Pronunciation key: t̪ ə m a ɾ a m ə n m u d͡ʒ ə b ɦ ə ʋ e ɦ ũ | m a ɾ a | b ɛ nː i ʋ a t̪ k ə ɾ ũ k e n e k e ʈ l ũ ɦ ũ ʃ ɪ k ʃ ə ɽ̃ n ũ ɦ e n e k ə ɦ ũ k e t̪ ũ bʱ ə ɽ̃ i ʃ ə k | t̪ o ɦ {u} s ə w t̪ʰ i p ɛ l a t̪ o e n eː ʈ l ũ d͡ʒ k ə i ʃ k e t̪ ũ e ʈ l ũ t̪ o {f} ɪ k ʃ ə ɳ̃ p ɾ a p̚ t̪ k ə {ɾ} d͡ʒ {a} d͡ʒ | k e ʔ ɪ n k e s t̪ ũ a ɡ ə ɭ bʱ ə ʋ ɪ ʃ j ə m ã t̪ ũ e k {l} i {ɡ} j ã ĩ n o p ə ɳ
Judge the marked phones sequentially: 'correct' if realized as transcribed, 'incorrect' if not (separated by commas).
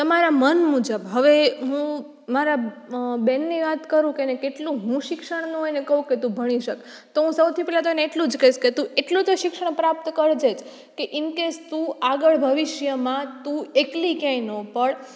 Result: incorrect, incorrect, correct, incorrect, correct, incorrect